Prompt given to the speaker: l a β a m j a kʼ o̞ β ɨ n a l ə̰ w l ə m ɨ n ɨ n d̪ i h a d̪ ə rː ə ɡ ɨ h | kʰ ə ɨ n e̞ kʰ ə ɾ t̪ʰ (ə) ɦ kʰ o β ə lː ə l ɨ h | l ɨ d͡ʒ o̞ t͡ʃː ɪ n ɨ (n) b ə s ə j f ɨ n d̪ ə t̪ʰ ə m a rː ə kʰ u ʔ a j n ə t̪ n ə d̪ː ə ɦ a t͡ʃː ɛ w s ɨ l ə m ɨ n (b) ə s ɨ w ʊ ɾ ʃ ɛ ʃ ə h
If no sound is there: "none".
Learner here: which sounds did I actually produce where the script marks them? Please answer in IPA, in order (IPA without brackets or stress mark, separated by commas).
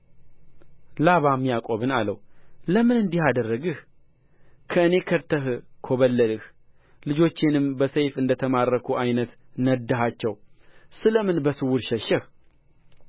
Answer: ə, m, b